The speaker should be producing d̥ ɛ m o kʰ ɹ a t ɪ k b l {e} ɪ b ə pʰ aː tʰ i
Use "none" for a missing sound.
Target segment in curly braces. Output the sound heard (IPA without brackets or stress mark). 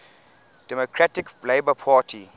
e